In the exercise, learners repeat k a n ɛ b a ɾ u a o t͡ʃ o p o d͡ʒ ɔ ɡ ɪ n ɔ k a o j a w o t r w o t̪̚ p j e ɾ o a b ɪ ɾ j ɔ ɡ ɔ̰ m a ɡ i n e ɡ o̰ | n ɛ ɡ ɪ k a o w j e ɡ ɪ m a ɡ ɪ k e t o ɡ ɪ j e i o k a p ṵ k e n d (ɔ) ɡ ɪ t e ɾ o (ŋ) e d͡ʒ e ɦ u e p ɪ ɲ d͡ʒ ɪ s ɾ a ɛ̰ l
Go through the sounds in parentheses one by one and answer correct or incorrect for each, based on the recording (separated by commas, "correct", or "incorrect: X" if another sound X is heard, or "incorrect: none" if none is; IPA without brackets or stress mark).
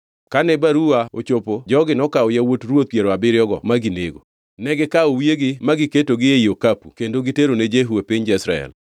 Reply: incorrect: o, incorrect: n